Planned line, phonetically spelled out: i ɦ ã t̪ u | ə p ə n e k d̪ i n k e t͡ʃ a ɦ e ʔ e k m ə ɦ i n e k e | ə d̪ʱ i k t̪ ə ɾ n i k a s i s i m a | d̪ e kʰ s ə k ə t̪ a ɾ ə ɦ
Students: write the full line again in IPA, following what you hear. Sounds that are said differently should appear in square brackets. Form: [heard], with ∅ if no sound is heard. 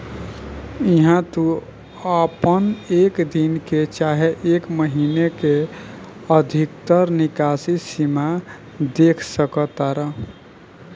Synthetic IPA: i ɦ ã t̪ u | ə p ə n e k d̪ i n k e t͡ʃ a ɦ e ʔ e k m ə ɦ i n e k e | ə d̪ʱ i k t̪ ə ɾ n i k a s i s i m a | d̪ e kʰ s ə k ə t̪ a ɾ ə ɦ